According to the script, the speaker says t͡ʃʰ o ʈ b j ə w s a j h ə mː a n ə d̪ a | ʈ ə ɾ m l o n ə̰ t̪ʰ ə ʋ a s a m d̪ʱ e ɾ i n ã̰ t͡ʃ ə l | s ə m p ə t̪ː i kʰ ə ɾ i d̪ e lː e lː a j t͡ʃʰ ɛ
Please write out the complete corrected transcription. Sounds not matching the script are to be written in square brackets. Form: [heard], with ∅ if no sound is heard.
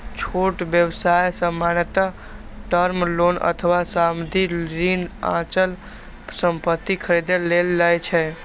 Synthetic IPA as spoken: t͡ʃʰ o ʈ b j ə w s a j [s] ə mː a n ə [t̪] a | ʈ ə ɾ m l o n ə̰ t̪ʰ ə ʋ a s a m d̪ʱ [i] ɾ i n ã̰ t͡ʃ ə l | s ə m p ə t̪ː i kʰ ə ɾ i d̪ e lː e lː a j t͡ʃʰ ɛ

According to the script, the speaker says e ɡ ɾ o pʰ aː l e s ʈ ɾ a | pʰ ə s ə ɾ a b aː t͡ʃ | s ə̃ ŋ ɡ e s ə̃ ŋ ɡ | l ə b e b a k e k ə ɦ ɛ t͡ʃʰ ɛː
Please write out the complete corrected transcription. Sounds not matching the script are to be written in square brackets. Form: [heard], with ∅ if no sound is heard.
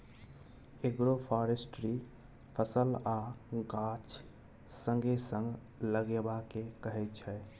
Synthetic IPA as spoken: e ɡ ɾ o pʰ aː [ɾ] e s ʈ ɾ [i] | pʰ ə s ə [l] a [ɡ] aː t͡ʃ | s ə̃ ŋ ɡ e s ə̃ ŋ ɡ | l ə [ɡ] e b a k e k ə ɦ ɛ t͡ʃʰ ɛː

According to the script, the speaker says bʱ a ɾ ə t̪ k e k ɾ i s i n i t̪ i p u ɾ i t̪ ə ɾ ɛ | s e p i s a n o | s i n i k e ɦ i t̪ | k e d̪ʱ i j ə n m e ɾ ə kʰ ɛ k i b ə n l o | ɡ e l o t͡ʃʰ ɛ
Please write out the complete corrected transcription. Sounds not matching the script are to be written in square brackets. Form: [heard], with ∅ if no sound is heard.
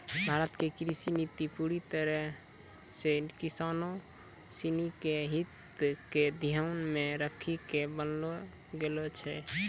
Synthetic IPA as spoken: bʱ a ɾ ə t̪ k e k ɾ i s i n i t̪ i p u ɾ i t̪ ə ɾ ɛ | s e [k] i s a n o | s i n i k e ɦ i t̪ | k e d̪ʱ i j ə n m e ɾ ə kʰ [i] k [e] b ə n l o | ɡ e l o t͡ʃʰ ɛ

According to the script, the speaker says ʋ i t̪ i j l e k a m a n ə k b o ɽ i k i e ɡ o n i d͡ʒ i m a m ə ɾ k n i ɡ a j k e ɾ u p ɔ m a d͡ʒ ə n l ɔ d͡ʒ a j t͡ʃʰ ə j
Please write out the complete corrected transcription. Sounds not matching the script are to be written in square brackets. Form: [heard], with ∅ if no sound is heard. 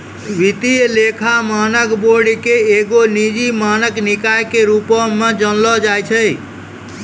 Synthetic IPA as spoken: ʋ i t̪ i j l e [kʰ] a m a n ə k b o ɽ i k [e] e ɡ o n i d͡ʒ i m a [n] ə [∅] k n i [k] a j k e ɾ u p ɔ m [e] d͡ʒ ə n l ɔ d͡ʒ a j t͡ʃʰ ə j

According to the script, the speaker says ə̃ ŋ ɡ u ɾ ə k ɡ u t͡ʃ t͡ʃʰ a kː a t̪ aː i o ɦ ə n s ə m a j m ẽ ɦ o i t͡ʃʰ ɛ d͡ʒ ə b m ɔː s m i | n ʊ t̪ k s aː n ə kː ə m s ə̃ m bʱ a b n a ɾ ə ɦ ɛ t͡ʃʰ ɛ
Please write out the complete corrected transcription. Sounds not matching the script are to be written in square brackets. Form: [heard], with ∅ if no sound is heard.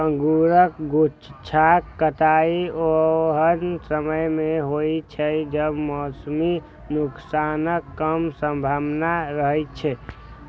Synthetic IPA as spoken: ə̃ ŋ ɡ u ɾ ə k ɡ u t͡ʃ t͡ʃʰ a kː [ə] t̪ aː i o ɦ ə n s ə m [ə] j m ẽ ɦ o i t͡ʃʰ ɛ d͡ʒ ə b m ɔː s m i | n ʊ [∅] k s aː n ə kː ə m s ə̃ m bʱ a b n a ɾ ə ɦ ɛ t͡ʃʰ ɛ

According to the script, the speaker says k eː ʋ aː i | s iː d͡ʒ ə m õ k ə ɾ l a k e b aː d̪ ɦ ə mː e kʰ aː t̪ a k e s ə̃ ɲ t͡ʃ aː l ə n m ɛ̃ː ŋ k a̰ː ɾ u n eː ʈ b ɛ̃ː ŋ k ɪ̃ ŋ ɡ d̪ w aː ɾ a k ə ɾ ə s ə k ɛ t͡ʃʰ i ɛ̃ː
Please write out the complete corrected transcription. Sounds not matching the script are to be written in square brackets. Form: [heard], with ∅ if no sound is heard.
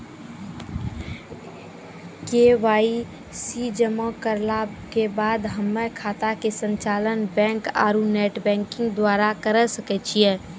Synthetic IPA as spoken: k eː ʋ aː i | s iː d͡ʒ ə m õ k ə ɾ l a k e b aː d̪ ɦ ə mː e kʰ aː t̪ a k e s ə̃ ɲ t͡ʃ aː l ə n [b] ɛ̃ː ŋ k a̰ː ɾ u n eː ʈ b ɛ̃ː ŋ k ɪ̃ ŋ ɡ d̪ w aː ɾ a k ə ɾ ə s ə k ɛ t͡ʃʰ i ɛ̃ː

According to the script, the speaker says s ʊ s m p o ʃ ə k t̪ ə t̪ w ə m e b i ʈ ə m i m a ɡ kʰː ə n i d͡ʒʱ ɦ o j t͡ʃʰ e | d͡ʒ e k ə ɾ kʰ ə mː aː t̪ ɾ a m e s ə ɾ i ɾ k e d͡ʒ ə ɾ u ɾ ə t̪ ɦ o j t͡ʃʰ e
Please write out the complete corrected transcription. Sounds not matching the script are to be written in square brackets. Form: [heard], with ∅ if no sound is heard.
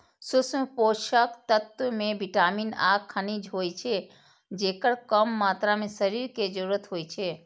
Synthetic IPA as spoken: s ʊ s m p o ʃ ə k t̪ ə t̪ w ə m e b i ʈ [a] m i [n] a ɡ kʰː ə n i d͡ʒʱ ɦ o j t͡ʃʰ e | d͡ʒ e k ə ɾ [k] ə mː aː t̪ ɾ a m e s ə ɾ i ɾ k e d͡ʒ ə ɾ u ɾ ə t̪ ɦ o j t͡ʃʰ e

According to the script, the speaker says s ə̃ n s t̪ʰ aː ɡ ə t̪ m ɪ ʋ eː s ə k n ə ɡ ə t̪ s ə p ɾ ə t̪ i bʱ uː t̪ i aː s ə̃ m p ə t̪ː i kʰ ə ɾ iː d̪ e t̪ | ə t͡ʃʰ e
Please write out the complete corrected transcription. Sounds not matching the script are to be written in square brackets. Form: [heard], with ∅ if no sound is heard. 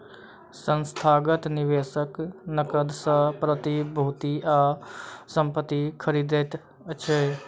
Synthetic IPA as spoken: s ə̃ n s t̪ʰ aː ɡ ə t̪ [n] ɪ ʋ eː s ə k n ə [k] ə [d̪] s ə p ɾ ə t̪ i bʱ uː t̪ i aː s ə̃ m p ə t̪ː i kʰ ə ɾ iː d̪ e t̪ | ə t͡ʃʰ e

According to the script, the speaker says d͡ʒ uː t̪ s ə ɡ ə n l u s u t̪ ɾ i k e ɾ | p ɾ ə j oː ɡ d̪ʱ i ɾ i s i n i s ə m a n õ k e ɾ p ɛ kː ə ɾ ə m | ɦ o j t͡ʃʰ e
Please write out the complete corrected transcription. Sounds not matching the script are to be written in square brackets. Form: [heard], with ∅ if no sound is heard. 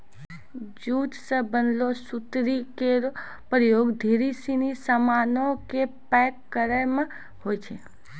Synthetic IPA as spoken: d͡ʒ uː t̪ s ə [b] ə n l [o] s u t̪ ɾ i k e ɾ | p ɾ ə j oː ɡ d̪ʱ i ɾ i s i n i s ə m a n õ k e [∅] p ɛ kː ə ɾ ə m | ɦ o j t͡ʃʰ e

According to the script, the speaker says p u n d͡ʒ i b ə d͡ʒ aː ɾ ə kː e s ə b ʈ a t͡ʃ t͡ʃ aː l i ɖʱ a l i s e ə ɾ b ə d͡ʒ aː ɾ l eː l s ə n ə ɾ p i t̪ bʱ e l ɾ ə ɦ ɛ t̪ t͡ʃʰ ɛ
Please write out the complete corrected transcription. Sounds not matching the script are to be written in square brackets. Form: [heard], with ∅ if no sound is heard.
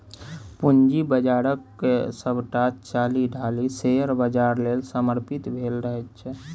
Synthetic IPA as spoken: p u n d͡ʒ i b ə d͡ʒ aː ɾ ə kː e s ə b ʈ a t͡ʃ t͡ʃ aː l i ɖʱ a l i s e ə ɾ b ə d͡ʒ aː ɾ l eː l s ə [m] ə ɾ p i t̪ bʱ e l ɾ ə ɦ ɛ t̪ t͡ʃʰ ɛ

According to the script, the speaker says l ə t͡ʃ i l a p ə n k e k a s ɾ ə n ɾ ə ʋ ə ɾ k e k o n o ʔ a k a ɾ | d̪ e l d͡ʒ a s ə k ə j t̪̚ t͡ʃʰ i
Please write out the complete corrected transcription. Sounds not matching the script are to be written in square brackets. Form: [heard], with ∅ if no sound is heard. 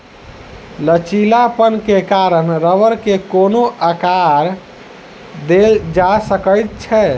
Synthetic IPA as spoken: l ə t͡ʃ i l a p ə n k e k a [∅] ɾ ə n ɾ ə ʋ ə ɾ k e k o n o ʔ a k a ɾ | d̪ e l d͡ʒ a s ə k ə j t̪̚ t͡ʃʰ [ɛ]

